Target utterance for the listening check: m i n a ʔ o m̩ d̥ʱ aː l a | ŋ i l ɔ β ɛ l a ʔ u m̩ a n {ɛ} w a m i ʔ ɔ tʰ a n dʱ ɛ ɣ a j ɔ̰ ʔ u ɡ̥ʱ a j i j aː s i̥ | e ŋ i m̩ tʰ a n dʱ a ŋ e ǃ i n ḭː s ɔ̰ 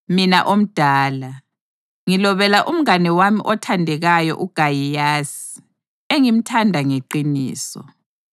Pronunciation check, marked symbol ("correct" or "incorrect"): correct